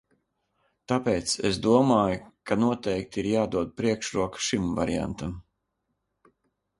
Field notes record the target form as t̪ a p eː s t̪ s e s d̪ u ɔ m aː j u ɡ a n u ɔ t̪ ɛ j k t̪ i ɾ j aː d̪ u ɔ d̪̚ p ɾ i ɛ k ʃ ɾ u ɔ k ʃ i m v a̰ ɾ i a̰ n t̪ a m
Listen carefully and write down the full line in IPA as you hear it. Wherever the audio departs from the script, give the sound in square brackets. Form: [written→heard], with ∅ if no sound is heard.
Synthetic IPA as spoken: t̪ a p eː [s→∅] t̪ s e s d̪ u ɔ m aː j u [ɡ→k] a n u ɔ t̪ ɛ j k t̪ i ɾ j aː d̪ u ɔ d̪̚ p ɾ i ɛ k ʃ ɾ u ɔ k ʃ i m v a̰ ɾ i a̰ n t̪ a m